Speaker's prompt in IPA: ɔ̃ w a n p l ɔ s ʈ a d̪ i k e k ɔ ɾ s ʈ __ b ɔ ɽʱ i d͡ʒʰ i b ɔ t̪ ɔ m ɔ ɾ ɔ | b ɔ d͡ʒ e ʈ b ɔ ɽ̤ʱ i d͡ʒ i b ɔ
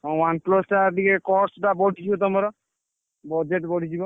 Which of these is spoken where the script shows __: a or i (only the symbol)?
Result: a